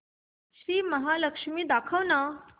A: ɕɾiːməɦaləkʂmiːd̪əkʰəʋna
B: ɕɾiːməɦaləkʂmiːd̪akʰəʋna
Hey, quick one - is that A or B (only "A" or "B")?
B